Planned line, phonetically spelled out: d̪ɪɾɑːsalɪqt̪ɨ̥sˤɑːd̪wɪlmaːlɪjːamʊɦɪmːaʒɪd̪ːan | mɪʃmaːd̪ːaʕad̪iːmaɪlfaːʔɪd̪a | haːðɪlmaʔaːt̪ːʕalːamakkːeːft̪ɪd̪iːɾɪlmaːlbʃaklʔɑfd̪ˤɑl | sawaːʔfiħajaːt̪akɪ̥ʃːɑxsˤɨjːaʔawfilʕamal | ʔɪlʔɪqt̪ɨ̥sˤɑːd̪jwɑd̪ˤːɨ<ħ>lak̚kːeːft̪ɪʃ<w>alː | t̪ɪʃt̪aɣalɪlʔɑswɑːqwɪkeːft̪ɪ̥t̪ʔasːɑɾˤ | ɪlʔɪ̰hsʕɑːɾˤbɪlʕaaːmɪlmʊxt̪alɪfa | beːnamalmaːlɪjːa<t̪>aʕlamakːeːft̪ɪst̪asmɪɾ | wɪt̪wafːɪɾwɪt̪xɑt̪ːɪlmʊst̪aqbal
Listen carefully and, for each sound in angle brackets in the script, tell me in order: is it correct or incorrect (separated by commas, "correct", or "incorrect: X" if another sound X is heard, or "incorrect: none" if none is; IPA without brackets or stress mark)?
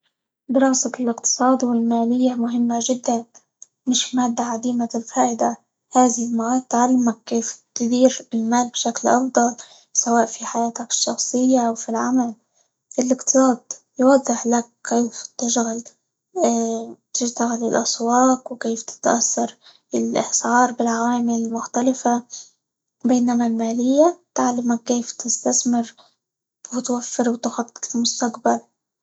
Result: correct, incorrect: ɣ, correct